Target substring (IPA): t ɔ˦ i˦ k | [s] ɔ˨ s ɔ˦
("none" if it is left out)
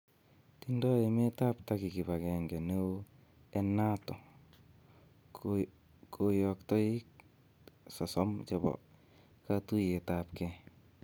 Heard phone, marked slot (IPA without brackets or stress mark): s